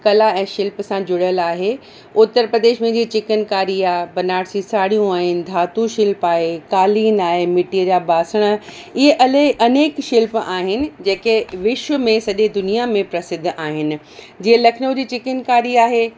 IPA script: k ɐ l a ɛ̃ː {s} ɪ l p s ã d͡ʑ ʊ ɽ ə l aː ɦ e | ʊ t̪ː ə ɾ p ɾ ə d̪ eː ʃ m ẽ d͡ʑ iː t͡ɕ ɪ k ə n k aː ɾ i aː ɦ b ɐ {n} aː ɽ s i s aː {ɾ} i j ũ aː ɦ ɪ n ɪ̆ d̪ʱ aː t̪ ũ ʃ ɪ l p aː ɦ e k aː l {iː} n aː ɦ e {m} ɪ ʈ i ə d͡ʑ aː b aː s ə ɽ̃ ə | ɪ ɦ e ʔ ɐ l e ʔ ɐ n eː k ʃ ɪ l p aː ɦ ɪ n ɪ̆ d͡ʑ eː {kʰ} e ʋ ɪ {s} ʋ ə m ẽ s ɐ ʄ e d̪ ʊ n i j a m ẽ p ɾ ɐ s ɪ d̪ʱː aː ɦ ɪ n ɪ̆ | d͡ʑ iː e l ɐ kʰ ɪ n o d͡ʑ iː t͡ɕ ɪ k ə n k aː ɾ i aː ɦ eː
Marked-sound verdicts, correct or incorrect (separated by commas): incorrect, correct, incorrect, correct, correct, incorrect, incorrect